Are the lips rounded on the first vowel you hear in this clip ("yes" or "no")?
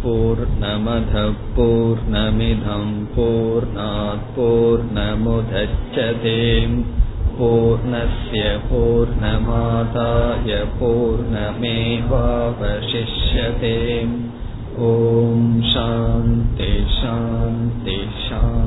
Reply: yes